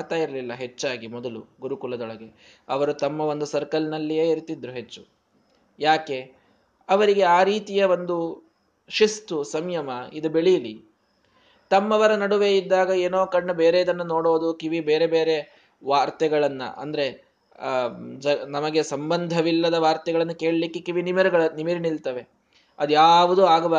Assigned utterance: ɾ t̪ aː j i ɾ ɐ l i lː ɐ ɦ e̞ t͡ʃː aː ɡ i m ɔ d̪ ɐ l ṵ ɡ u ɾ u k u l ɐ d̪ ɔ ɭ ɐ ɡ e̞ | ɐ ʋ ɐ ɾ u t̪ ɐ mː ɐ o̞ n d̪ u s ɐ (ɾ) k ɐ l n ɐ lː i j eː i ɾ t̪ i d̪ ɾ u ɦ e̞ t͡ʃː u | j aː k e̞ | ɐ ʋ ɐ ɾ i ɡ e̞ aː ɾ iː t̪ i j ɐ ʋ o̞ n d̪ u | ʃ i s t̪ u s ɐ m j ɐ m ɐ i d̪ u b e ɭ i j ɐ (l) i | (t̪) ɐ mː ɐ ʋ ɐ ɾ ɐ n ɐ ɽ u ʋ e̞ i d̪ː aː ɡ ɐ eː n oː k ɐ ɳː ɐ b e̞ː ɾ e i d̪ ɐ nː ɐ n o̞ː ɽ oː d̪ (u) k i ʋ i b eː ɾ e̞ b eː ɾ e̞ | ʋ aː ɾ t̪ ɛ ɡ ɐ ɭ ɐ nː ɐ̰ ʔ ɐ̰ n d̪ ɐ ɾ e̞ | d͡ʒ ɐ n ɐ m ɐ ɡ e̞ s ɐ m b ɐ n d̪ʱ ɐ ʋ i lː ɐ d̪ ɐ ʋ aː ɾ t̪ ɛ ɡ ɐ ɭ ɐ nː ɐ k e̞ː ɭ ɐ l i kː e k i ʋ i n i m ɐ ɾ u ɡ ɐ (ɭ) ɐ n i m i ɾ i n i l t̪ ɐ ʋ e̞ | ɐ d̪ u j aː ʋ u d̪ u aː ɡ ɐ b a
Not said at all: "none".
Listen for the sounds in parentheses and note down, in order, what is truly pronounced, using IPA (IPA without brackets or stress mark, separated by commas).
ɾ, l, t̪, u, ɭ